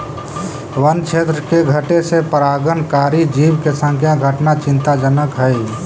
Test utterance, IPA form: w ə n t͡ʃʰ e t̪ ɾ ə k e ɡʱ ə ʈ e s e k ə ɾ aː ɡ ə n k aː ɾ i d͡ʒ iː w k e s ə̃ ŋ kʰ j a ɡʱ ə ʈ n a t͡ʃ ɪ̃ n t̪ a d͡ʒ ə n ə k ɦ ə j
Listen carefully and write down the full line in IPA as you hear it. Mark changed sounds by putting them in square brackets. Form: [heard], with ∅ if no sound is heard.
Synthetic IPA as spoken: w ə n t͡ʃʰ e t̪ ɾ ə k e ɡʱ ə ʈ e s e [p] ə ɾ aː ɡ ə n k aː ɾ i d͡ʒ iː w k e s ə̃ ŋ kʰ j a ɡʱ ə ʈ n a t͡ʃ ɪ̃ n t̪ a d͡ʒ ə n ə k ɦ ə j